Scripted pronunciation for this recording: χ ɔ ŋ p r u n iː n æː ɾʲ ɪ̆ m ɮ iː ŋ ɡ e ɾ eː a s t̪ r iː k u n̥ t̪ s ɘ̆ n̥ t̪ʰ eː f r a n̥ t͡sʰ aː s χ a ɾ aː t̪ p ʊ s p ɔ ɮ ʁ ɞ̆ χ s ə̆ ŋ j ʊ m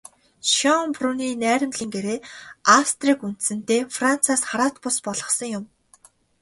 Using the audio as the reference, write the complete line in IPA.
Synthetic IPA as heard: ʃ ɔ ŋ p r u n iː n æː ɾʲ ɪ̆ m ɮ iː ŋ ɡ e ɾ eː a s t̪ r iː k u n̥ t̪ s ɘ̆ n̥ t̪ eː f r a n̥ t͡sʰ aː s χ a ɾ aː t̪ p ʊ s p ɔ ɮ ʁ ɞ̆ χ s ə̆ ŋ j ʊ m